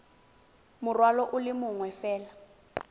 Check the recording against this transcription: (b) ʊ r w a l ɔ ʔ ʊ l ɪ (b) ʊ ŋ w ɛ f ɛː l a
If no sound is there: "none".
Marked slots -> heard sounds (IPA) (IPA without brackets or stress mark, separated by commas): m, m